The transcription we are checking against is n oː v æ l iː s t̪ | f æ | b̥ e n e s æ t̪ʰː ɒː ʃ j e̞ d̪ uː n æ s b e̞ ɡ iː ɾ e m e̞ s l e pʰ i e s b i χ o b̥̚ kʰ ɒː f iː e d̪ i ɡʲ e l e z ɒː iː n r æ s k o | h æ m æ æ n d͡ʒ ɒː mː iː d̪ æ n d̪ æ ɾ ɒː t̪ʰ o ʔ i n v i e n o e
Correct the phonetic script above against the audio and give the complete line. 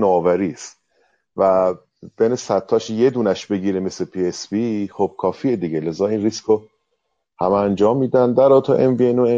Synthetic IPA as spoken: n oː v æ ɾ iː s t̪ | v æ | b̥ e n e s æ t̪ʰː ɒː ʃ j e̞ d̪ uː n æ ʃ b e̞ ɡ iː ɾ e m e̞ s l e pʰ i e s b i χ o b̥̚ kʰ ɒː f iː e d̪ i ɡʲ e l e z ɒː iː n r i s k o | h æ m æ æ n d͡ʒ ɒː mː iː d̪ æ n d̪ æ ɾ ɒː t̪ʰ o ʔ e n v i e n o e